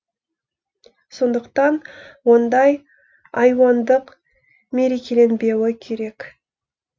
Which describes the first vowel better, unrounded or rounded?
rounded